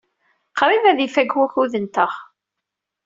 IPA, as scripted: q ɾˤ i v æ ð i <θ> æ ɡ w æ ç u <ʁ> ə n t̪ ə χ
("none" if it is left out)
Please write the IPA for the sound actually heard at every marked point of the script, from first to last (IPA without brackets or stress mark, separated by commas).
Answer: f, ð